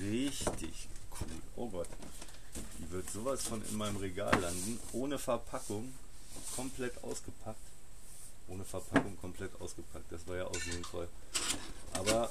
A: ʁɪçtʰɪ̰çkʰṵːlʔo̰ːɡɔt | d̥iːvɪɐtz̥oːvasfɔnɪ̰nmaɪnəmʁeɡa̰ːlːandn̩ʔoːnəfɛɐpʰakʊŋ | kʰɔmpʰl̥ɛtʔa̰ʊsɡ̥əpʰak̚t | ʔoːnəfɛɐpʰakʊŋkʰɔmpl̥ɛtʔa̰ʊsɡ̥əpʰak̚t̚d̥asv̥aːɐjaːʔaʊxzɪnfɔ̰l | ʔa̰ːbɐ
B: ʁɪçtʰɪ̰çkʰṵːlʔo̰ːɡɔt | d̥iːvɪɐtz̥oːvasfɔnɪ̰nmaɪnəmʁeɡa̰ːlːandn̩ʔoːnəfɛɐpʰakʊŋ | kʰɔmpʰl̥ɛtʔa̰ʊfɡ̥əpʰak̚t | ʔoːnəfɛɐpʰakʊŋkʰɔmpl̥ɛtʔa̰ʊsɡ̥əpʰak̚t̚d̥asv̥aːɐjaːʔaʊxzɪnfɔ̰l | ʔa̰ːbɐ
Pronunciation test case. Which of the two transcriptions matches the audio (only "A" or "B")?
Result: A